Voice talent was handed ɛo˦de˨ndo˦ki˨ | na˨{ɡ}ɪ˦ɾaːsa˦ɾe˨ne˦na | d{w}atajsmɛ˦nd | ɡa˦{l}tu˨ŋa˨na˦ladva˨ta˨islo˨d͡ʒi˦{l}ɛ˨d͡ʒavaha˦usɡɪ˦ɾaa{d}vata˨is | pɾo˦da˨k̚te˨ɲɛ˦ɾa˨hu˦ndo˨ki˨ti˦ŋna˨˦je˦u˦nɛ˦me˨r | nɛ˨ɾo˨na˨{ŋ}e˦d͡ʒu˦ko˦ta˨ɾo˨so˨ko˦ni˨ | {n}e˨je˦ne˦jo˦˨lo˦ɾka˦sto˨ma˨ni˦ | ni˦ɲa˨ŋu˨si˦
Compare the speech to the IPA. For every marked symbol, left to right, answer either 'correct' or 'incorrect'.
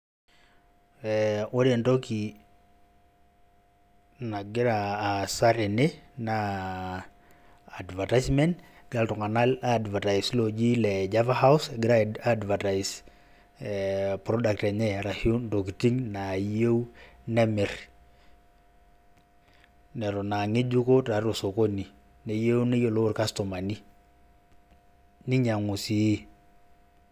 correct, incorrect, correct, correct, correct, correct, correct

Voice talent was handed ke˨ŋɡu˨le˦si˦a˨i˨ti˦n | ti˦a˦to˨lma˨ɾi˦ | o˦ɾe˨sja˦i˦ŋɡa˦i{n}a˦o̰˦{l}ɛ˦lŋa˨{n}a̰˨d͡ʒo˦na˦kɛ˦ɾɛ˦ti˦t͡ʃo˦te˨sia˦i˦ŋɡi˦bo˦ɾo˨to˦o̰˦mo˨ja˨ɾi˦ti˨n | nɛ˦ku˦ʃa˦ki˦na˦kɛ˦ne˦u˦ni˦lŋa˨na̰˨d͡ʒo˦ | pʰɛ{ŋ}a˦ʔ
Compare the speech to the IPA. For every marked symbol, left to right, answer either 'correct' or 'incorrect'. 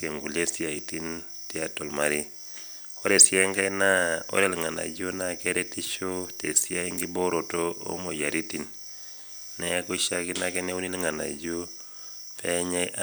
correct, incorrect, correct, incorrect

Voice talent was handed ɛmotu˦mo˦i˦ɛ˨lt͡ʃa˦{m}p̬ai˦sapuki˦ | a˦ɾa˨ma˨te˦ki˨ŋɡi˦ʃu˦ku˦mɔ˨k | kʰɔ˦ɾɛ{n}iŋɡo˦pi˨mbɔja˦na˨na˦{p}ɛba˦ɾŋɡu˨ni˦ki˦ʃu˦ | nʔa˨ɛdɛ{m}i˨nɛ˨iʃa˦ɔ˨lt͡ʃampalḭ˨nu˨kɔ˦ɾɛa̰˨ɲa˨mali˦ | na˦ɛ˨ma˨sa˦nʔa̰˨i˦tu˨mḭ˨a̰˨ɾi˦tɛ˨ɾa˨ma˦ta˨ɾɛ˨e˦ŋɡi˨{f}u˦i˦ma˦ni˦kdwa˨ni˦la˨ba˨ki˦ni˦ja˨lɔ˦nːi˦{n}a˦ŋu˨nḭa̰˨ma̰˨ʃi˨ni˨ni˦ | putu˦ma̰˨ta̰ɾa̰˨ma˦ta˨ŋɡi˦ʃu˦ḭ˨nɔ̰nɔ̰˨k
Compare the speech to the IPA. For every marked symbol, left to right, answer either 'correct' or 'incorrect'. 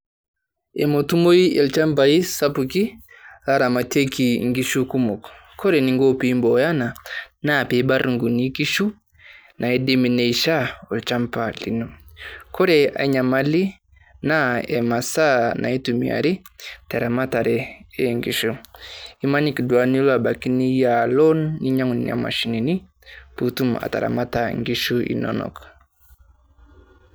correct, correct, correct, correct, incorrect, incorrect

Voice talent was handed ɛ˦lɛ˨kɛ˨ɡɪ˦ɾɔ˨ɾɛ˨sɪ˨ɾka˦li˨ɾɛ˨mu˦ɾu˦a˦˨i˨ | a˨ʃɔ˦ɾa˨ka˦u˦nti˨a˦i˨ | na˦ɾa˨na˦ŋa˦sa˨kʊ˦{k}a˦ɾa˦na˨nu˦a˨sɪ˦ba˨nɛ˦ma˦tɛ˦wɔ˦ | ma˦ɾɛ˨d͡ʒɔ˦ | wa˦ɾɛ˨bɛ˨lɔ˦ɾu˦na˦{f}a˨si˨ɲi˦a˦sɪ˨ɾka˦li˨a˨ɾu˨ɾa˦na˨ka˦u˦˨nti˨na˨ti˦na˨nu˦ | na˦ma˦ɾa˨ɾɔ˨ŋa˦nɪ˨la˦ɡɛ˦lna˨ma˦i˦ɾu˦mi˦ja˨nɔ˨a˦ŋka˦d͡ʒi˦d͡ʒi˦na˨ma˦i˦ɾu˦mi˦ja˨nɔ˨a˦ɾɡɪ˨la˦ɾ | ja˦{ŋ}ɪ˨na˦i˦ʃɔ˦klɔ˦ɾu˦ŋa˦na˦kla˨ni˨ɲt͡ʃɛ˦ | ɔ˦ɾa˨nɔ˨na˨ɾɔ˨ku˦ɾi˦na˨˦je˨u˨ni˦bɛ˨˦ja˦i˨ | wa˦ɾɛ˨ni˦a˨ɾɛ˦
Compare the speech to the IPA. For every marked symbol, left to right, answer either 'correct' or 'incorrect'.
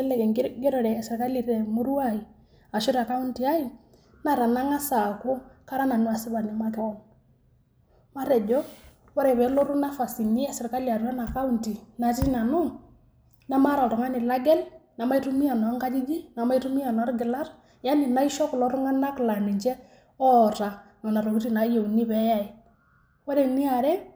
correct, correct, incorrect

